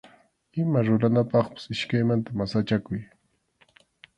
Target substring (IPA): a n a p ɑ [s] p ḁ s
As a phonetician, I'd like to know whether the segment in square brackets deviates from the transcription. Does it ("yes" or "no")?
yes